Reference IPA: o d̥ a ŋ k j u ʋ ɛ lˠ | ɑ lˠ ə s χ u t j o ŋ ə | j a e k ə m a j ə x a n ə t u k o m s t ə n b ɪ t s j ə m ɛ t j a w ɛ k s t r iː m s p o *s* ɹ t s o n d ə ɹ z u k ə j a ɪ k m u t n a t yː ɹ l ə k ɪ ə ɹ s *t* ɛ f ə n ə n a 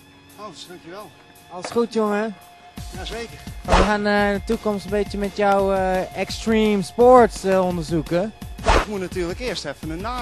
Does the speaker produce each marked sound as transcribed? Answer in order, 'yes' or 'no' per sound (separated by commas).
no, yes